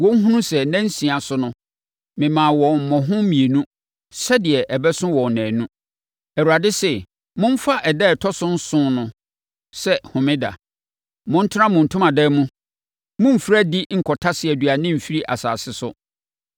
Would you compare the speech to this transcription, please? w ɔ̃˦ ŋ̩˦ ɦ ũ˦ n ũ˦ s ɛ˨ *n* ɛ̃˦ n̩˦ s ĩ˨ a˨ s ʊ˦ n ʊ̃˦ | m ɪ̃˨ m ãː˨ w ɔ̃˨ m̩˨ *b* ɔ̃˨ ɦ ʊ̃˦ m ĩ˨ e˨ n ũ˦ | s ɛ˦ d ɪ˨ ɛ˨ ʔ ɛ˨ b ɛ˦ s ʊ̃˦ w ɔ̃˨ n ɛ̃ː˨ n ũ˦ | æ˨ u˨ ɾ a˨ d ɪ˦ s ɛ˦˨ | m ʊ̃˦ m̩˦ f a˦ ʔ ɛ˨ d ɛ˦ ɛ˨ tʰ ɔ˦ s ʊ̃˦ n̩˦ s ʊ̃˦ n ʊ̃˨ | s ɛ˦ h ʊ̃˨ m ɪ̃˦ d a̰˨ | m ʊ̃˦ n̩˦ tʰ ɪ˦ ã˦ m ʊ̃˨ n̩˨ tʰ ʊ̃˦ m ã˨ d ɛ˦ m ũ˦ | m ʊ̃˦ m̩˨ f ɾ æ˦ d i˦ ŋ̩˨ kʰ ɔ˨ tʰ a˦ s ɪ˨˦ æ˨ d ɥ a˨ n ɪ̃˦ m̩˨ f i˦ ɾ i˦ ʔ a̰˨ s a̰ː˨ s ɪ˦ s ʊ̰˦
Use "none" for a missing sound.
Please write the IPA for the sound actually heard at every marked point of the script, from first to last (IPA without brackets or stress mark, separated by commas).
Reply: n, m